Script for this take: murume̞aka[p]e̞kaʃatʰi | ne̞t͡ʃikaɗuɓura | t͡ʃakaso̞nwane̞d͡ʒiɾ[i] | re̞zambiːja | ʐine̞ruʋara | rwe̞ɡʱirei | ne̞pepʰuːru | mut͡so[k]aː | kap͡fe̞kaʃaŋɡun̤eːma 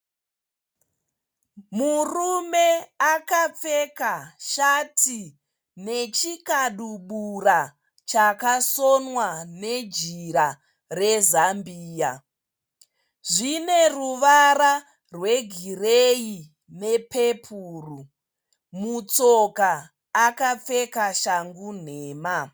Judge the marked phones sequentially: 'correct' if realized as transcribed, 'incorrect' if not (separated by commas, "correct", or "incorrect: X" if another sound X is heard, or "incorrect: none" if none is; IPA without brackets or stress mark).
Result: incorrect: p͡f, incorrect: a, correct